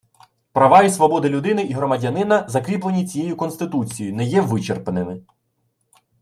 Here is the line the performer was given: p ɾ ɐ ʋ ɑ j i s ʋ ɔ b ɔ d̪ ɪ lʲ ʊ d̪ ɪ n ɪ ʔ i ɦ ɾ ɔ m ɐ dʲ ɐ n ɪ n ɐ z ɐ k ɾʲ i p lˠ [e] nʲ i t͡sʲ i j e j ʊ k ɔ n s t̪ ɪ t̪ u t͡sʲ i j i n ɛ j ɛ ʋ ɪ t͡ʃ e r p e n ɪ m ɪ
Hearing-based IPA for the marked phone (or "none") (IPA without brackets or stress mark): e